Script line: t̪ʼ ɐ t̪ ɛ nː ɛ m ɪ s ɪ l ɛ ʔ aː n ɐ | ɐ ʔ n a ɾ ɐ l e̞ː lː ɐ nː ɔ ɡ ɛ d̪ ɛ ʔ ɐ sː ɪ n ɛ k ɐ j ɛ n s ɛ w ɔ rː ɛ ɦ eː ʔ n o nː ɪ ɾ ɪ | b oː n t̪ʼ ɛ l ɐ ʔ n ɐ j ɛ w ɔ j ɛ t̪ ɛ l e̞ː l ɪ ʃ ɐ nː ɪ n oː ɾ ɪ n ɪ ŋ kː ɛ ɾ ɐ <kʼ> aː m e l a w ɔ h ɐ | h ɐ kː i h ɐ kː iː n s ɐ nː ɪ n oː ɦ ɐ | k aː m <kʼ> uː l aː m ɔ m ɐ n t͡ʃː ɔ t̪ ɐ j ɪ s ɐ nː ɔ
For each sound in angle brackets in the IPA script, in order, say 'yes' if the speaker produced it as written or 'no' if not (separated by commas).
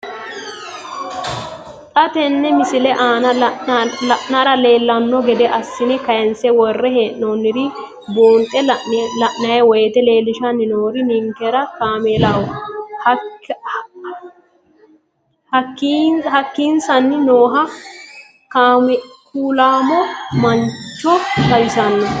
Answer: no, no